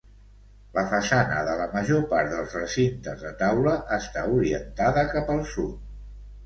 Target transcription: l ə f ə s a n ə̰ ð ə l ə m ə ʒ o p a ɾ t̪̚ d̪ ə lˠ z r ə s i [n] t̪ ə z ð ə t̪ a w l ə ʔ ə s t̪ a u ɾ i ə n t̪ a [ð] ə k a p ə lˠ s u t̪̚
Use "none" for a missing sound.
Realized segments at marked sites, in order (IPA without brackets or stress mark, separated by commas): n, ð